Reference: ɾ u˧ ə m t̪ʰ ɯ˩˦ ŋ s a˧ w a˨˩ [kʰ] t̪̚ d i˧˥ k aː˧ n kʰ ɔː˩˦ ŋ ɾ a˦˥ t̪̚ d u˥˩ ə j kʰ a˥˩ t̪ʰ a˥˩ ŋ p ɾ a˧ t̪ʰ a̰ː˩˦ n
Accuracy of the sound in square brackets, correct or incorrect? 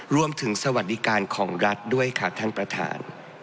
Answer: incorrect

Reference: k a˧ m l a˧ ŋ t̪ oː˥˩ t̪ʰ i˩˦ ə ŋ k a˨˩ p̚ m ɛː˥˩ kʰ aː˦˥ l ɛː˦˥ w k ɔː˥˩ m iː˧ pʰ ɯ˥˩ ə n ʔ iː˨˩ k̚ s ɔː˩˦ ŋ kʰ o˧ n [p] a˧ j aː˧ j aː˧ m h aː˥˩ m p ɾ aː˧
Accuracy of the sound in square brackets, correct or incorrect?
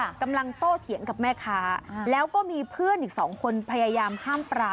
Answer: incorrect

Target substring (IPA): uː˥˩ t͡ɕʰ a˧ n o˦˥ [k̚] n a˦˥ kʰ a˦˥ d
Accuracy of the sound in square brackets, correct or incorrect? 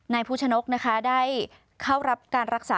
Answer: correct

